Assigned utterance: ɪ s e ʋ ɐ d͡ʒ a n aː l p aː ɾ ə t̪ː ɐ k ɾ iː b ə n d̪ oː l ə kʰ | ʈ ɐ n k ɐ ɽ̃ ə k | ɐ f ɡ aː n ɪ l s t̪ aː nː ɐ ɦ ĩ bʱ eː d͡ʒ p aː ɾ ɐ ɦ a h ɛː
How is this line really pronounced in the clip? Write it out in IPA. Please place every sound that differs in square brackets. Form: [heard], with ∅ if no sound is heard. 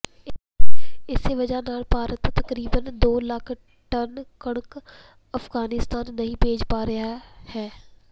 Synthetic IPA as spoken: ɪ s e ʋ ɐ d͡ʒ a n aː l p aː ɾ ə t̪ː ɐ k ɾ iː b ə n d̪ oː l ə kʰ | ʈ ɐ n k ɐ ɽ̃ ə k | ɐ f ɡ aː n ɪ [∅] s t̪ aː nː ɐ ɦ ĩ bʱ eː d͡ʒ p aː ɾ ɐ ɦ a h ɛː